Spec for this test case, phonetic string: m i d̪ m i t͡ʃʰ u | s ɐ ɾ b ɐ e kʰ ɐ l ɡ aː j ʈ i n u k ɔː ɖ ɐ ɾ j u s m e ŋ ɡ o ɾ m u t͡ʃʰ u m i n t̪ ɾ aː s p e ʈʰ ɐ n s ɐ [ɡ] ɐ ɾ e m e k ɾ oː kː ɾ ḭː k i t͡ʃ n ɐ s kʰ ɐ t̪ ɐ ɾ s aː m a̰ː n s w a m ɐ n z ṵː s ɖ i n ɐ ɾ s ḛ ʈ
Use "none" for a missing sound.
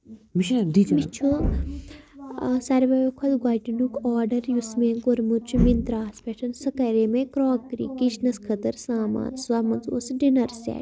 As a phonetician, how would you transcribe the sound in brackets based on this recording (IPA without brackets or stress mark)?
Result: k